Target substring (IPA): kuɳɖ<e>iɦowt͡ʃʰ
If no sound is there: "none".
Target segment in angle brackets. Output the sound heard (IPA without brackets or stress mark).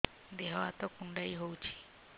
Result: a